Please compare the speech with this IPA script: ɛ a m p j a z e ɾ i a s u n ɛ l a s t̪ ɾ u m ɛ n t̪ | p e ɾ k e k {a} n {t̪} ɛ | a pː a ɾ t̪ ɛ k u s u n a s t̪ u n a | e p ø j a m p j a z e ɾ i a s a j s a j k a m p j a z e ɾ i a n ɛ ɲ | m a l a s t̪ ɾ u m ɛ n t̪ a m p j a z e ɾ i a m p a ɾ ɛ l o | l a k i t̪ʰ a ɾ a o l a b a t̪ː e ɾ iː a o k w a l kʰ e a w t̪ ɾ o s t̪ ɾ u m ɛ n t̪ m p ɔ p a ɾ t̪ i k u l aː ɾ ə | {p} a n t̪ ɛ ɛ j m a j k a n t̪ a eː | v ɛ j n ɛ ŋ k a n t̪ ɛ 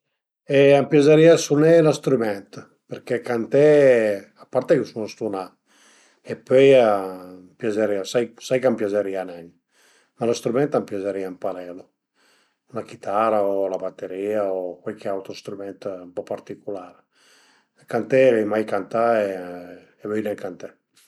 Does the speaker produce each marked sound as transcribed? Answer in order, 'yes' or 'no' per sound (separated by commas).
yes, yes, no